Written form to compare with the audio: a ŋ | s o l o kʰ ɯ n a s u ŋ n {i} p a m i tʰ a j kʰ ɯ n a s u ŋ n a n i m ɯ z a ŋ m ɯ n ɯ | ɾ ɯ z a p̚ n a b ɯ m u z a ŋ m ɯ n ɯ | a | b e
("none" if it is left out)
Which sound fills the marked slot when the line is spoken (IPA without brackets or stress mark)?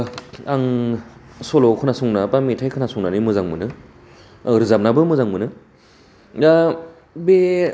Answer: a